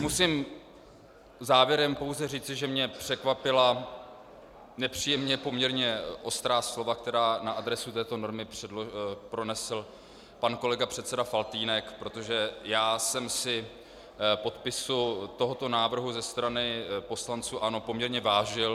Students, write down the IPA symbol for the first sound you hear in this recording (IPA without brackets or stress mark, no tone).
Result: m